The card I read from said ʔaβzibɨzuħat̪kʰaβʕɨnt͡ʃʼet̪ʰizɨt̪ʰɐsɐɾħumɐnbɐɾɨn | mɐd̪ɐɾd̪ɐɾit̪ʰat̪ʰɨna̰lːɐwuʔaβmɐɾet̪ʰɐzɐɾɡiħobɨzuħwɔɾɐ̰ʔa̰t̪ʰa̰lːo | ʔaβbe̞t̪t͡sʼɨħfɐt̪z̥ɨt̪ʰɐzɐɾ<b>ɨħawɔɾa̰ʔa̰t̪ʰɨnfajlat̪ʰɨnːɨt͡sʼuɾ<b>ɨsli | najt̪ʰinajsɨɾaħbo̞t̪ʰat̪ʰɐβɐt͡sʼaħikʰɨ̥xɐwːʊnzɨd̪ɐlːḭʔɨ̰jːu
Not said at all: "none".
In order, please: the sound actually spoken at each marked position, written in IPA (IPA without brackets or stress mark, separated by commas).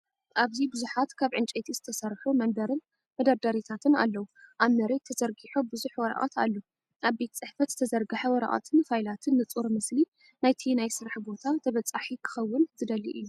ɡ, m